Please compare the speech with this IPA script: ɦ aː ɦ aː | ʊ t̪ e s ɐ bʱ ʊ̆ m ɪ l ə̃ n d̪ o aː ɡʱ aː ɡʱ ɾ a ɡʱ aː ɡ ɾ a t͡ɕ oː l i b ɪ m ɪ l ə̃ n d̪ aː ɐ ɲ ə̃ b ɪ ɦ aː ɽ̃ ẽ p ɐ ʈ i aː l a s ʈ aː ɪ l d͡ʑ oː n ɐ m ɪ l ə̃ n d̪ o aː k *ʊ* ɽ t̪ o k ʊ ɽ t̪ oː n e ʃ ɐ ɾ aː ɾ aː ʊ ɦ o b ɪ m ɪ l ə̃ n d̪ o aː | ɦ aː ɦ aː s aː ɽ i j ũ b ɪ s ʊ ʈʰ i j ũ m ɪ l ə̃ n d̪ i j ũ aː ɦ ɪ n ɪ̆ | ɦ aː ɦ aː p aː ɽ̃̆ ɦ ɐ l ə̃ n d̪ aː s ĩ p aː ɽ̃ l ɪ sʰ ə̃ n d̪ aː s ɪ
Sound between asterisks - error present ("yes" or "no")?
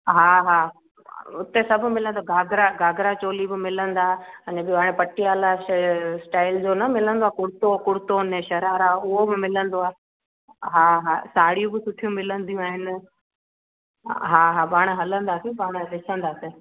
no